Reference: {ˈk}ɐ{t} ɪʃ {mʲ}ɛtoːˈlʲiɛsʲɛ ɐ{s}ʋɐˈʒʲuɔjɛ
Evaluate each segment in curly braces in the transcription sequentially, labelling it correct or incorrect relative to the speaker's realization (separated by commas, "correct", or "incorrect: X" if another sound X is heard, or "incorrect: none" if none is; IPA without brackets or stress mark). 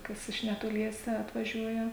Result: correct, incorrect: s, incorrect: nʲ, incorrect: t